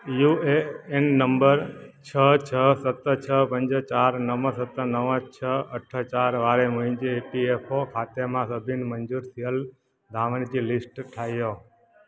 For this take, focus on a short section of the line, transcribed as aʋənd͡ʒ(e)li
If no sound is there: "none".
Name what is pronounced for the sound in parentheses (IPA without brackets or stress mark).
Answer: i